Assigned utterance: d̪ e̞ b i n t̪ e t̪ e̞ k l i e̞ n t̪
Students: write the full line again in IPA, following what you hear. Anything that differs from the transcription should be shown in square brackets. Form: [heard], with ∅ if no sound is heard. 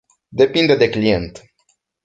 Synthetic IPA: d̪ e̞ [p] i n [d̪] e [d̪] e̞ k l i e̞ n t̪